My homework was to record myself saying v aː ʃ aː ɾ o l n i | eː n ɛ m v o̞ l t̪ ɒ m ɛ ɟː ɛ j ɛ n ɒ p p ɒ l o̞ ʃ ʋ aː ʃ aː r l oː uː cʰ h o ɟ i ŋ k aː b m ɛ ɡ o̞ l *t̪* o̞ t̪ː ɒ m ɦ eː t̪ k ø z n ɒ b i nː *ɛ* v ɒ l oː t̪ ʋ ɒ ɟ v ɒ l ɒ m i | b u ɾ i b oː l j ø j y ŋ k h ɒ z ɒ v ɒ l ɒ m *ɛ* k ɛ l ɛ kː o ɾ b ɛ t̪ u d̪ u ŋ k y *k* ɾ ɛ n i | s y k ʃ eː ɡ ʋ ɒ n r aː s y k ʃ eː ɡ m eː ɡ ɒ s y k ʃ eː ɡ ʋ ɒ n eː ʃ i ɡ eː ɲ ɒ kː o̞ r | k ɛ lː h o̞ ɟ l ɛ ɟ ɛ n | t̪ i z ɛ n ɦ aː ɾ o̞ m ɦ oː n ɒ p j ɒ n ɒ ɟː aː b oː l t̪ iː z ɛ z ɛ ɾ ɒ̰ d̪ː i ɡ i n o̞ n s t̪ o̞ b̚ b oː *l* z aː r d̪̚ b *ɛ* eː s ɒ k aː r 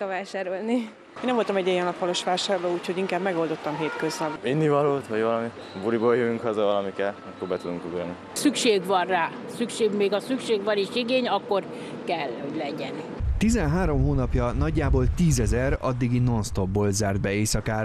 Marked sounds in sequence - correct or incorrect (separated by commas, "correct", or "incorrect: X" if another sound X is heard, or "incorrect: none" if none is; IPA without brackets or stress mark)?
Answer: incorrect: d̪, incorrect: i, incorrect: i, incorrect: ɡ, correct, correct